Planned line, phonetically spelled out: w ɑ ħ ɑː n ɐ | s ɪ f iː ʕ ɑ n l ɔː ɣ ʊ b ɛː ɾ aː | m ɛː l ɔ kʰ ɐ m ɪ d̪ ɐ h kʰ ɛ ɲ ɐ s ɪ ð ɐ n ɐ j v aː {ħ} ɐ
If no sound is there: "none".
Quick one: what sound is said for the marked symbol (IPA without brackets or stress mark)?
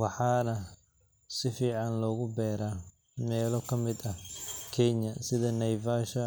ʃ